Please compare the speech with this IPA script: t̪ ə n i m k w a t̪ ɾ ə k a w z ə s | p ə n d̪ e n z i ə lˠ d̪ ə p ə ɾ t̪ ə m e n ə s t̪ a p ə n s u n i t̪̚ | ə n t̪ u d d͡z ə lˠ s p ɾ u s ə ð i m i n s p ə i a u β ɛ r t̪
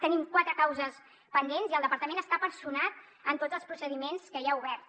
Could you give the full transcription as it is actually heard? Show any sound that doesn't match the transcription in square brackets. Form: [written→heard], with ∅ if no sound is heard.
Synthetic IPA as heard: t̪ ə n i m k w a t̪ ɾ ə k a w z ə s | p ə n d̪ e n z i ə lˠ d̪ ə p ə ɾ t̪ ə m e n ə s t̪ a p ə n s u n [i→a] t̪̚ | ə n t̪ [u→o] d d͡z ə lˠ s p ɾ u s ə ð i m [i→e] n s [p→k] ə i a u β ɛ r t̪